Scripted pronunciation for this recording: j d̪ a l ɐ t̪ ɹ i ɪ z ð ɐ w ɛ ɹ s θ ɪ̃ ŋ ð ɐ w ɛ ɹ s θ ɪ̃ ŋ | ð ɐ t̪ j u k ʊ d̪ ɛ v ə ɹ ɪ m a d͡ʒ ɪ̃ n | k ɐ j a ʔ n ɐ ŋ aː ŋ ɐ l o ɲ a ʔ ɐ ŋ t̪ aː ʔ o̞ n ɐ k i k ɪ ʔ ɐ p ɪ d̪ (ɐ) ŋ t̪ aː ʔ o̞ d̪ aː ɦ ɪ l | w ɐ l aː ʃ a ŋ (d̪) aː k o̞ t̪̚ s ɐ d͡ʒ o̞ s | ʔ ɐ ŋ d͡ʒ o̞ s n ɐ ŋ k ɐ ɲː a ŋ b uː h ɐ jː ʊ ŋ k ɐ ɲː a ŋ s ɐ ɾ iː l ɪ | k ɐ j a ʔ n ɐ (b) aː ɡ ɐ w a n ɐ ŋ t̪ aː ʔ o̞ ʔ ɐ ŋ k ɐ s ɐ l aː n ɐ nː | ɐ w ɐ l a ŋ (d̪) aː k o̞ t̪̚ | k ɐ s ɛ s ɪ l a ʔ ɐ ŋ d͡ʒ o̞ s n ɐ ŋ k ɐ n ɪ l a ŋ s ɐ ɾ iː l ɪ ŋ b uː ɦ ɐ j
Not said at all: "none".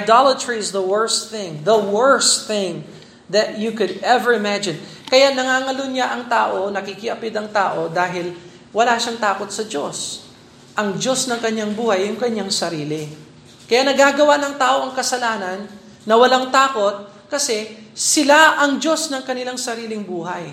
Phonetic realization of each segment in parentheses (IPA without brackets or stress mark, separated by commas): ɐ, t̪, ɡ, t̪